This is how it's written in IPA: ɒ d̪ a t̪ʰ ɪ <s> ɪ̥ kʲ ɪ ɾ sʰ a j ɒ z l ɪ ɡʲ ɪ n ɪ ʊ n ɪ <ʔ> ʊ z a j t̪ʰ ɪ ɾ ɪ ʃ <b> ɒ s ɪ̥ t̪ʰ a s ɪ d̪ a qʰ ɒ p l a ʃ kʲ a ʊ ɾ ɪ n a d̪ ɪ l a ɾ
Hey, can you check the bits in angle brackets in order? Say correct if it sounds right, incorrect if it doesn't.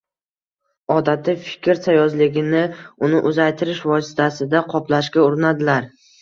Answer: incorrect: f, correct, incorrect: v

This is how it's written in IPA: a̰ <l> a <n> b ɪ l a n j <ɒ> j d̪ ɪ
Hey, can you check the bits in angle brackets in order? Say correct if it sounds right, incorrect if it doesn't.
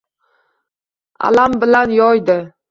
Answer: correct, incorrect: m, correct

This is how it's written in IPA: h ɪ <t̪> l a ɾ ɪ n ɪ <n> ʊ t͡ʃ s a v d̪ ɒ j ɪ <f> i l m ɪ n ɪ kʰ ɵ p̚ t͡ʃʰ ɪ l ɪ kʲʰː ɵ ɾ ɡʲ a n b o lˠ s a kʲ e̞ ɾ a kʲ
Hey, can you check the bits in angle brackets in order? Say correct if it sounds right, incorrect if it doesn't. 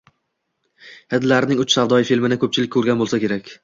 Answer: incorrect: d̪, incorrect: ŋ, correct

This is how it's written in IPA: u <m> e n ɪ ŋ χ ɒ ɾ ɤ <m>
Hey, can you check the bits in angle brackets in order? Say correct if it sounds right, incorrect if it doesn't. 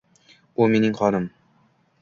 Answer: correct, correct

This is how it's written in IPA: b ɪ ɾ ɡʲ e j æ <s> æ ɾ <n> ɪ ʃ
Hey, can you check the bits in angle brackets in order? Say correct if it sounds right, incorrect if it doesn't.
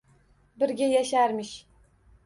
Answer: incorrect: ʃ, incorrect: m

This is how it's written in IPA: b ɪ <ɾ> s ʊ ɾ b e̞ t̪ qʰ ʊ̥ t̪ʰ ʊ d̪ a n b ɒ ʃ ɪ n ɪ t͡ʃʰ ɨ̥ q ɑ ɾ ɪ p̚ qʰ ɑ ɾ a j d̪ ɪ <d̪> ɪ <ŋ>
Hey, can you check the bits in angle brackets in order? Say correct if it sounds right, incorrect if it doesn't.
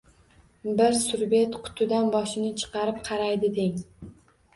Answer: correct, correct, correct

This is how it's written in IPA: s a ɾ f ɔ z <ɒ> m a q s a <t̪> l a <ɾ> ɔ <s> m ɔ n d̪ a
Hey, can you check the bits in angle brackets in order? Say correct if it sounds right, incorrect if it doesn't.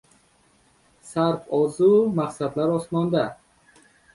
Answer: incorrect: u, incorrect: d̪, correct, correct

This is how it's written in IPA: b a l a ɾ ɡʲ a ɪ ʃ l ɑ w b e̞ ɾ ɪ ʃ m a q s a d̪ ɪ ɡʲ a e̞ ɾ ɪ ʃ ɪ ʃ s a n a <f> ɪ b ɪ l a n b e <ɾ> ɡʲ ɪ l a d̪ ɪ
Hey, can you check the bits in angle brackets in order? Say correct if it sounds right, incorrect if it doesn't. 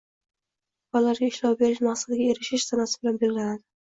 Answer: incorrect: s, incorrect: l

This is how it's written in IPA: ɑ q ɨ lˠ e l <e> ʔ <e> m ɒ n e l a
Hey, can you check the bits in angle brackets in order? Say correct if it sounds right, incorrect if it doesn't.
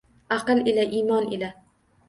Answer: incorrect: a, incorrect: i

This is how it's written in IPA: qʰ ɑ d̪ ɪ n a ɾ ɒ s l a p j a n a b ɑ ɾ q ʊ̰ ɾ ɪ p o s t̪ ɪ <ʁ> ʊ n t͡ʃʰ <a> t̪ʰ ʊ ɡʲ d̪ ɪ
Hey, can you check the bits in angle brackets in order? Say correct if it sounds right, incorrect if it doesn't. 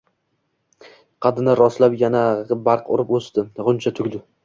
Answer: correct, correct

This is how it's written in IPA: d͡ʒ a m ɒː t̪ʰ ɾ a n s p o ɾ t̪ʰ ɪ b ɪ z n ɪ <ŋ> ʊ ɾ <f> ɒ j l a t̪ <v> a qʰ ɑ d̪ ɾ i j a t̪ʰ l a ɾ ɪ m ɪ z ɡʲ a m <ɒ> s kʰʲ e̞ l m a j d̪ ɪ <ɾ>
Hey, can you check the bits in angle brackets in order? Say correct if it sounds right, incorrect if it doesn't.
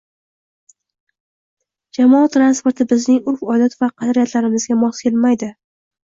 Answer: correct, correct, correct, correct, incorrect: none

